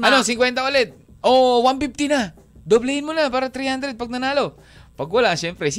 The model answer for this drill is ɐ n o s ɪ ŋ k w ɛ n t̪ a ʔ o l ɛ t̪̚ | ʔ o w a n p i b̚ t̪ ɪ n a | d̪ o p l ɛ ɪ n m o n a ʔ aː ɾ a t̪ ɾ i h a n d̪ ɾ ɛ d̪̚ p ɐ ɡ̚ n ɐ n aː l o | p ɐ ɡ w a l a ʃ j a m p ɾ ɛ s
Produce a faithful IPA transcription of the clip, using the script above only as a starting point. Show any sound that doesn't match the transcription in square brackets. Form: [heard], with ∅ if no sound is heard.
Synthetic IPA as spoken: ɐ n o s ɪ ŋ k w ɛ n t̪ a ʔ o l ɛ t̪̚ | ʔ o w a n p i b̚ t̪ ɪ n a | d̪ o [b] l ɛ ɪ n m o n a [p] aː ɾ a t̪ ɾ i h a n d̪ ɾ ɛ d̪̚ p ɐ ɡ̚ n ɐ n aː l o | p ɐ ɡ w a l a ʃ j [ɛ] m p ɾ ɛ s